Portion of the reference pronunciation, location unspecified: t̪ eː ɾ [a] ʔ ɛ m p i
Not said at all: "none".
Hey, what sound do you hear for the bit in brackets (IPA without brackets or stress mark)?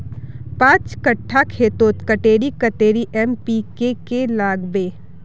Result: i